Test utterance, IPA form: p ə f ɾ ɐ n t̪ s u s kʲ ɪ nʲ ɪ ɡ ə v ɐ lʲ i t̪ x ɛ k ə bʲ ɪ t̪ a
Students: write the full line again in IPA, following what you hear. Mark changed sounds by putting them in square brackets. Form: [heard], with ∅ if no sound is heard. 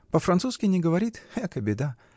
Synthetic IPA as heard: p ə f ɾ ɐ n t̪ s u s kʲ ɪ nʲ ɪ ɡ ə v ɐ [ɾʲ] i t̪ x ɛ k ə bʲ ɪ [d̪] a